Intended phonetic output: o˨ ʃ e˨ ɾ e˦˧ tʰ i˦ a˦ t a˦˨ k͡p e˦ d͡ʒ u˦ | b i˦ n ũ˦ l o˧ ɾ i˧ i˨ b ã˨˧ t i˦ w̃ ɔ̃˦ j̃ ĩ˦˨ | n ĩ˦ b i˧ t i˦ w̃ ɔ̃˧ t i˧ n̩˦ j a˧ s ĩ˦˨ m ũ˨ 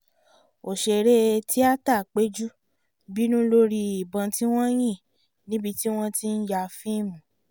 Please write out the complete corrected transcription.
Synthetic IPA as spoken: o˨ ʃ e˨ ɾ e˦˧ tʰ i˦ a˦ t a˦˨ k͡p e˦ d͡ʒ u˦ | b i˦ n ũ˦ l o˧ ɾ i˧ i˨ b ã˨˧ t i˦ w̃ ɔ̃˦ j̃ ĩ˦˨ | n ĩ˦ b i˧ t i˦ w̃ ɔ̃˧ t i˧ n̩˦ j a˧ f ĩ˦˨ m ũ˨